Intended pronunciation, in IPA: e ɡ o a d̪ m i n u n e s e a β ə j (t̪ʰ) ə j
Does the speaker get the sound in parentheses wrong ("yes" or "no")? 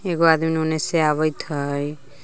no